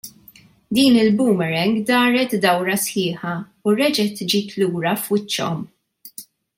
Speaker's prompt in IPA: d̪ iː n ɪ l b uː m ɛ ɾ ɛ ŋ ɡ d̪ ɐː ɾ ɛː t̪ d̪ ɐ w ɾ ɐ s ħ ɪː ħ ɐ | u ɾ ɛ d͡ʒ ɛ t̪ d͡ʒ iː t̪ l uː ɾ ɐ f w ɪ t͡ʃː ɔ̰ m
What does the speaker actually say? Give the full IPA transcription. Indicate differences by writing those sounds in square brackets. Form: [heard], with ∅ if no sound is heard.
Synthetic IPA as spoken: d̪ iː n ɪ l b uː m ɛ ɾ ɛ ŋ ɡ d̪ ɐː ɾ [ɛ] t̪ d̪ ɐ w ɾ ɐ s ħ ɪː ħ ɐ | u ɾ ɛ d͡ʒ ɛ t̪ d͡ʒ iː t̪ l uː ɾ ɐ f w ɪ t͡ʃː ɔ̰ m